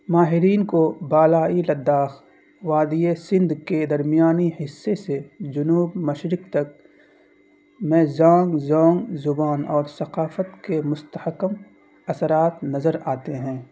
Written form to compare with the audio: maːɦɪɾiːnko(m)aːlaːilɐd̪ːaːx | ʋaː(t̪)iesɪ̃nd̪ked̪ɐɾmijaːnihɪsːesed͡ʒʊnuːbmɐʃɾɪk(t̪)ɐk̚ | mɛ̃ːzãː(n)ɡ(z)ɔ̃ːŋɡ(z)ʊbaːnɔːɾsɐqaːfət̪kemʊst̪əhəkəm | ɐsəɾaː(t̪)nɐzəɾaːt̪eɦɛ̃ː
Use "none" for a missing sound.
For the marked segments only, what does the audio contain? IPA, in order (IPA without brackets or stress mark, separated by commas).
b, d̪, t̪, ŋ, z, z, t̪